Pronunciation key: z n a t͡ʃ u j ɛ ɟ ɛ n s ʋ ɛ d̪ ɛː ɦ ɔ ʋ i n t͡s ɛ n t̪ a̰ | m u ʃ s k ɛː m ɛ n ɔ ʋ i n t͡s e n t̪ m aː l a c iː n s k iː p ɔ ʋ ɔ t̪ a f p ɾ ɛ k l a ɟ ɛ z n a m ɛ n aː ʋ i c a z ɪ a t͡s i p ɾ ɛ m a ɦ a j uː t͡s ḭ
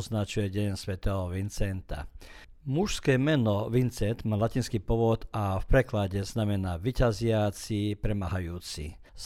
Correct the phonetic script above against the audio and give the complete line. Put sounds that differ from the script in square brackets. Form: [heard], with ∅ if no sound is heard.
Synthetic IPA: z n a t͡ʃ u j ɛ ɟ ɛ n s ʋ ɛ [t̪] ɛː ɦ ɔ ʋ i n t͡s ɛ n t̪ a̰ | m u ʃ s k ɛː m ɛ n ɔ ʋ i n t͡s [ɛ] n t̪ m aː l a c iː n s k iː p ɔ ʋ ɔ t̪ a f p ɾ ɛ k l a ɟ ɛ z n a m ɛ n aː ʋ i c a z ɪ a t͡s i p ɾ ɛ m a ɦ a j uː t͡s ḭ